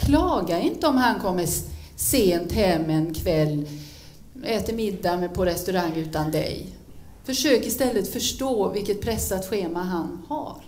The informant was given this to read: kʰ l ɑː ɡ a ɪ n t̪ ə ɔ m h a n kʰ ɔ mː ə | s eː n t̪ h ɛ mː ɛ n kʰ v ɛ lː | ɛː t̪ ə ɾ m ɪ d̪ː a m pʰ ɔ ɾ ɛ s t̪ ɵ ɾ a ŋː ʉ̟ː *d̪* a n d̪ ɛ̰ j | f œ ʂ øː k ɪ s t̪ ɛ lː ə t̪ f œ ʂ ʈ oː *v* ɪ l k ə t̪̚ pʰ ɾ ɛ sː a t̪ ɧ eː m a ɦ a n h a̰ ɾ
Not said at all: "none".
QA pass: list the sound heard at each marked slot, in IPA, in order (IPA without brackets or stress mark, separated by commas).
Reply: t̪, v